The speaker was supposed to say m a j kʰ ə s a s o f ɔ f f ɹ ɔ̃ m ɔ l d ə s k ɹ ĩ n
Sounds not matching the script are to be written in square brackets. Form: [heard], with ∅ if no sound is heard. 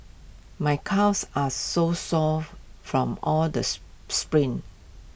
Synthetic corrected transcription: m a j kʰ [a] s a s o [s] ɔ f f ɹ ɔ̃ m ɔ l d ə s [p] ɹ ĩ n